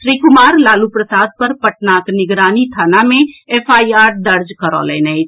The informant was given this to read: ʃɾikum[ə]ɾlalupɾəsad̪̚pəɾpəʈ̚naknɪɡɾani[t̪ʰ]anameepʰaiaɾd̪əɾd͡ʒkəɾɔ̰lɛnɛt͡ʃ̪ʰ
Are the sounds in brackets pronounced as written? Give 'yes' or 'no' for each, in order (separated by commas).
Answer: no, yes